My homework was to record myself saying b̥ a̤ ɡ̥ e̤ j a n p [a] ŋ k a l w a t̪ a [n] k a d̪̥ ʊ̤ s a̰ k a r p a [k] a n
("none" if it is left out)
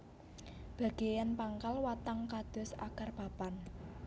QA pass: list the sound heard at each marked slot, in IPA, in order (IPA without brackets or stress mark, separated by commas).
a, ŋ, p